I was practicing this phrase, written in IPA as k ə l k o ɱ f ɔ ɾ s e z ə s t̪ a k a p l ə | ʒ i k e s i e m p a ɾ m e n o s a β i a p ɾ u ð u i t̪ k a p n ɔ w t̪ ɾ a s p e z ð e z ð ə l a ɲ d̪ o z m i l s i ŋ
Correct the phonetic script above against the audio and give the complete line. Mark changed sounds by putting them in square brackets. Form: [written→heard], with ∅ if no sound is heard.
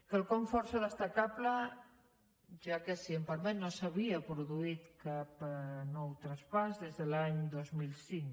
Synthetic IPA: k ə l k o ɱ f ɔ ɾ s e [z→ð] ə s t̪ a k a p l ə | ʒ [i→a] k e s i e m p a ɾ m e n o s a β i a p ɾ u ð u i t̪ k a p n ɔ w t̪ ɾ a s p [e→a] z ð e z ð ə l a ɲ d̪ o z m i l s i ŋ